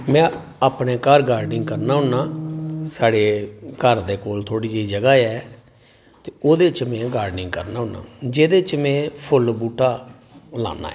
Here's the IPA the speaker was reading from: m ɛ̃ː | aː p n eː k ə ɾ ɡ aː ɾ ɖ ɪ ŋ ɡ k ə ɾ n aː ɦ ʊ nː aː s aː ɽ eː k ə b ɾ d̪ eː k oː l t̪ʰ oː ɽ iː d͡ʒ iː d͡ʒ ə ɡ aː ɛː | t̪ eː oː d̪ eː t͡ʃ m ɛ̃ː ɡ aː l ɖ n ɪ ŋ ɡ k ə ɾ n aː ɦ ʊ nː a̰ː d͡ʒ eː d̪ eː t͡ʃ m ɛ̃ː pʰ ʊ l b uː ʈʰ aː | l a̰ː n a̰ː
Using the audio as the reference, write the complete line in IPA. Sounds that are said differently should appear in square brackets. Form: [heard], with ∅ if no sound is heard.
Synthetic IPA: m ɛ̃ː | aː p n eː k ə ɾ ɡ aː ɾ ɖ ɪ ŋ ɡ k ə ɾ n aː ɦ ʊ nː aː s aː ɽ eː k ə [∅] ɾ d̪ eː k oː l t̪ʰ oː ɽ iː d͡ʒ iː d͡ʒ ə ɡ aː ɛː | t̪ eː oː d̪ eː t͡ʃ m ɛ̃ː ɡ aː [ɾ] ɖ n ɪ ŋ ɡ k ə ɾ n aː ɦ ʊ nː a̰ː d͡ʒ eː d̪ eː t͡ʃ m ɛ̃ː pʰ ʊ l b uː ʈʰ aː | l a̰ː n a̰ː